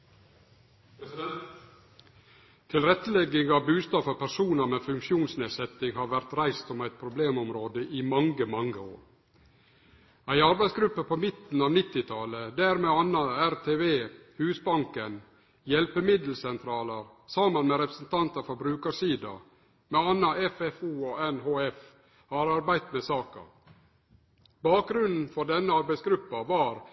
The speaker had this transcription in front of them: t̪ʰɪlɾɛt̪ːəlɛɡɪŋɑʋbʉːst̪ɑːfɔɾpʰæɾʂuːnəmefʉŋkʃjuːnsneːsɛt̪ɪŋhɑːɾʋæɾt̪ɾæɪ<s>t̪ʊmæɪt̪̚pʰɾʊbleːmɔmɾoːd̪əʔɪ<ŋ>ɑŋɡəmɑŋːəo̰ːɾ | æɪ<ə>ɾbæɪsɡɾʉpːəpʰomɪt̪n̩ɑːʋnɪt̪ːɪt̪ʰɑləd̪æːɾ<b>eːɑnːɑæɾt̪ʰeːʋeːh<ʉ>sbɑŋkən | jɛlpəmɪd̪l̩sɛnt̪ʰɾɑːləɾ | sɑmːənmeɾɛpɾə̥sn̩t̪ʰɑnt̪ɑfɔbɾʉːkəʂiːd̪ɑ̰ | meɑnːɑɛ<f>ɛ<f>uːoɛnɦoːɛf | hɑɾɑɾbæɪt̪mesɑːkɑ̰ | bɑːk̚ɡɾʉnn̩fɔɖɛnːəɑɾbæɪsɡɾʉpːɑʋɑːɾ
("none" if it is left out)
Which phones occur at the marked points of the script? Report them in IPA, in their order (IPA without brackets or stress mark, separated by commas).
s, m, ɑ, m, ʉː, f, f